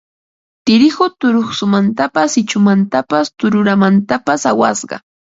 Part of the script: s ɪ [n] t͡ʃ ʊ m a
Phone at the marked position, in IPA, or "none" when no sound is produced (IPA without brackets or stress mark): none